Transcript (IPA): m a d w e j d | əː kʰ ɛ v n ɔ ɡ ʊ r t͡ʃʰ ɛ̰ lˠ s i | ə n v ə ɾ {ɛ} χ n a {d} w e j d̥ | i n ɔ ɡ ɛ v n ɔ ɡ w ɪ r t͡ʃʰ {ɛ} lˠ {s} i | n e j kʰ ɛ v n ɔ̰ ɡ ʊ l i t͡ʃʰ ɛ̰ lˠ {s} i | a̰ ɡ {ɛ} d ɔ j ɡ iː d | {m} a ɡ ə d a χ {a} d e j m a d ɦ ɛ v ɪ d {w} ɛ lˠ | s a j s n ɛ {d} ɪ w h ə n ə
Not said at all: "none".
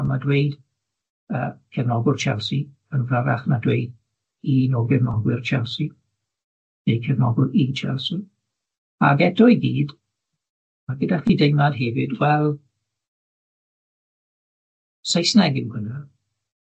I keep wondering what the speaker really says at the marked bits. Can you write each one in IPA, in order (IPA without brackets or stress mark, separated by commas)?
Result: a, d, ɛ, s, s, ɛ, m, i, w, ɡ